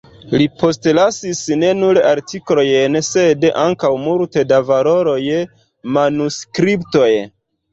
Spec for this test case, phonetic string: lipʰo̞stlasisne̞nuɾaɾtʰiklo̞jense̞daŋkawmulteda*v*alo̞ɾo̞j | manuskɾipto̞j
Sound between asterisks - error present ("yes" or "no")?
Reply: no